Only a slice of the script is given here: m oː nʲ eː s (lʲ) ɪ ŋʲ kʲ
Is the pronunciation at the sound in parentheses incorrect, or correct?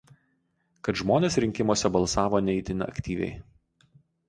incorrect